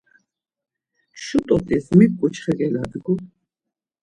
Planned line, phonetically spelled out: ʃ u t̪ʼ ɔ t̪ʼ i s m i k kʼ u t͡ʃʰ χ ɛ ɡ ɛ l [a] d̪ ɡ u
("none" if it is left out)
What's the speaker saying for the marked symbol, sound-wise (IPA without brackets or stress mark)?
a